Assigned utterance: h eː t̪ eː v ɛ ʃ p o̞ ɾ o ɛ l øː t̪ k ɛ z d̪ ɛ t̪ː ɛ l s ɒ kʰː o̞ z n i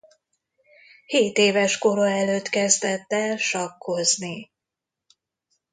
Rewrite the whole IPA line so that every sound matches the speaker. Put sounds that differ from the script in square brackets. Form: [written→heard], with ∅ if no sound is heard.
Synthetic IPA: h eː t̪ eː v ɛ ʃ [p→k] o̞ ɾ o ɛ l øː t̪ k ɛ z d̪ ɛ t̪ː ɛ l [s→ʃ] ɒ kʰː o̞ z n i